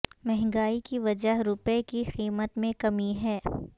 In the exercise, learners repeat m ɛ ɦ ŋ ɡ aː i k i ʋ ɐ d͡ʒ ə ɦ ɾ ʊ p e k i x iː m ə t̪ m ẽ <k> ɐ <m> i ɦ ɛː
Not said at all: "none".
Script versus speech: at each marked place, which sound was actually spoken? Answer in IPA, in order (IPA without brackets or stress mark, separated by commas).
k, m